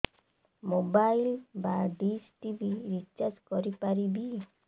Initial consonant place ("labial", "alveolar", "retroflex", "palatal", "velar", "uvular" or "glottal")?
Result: labial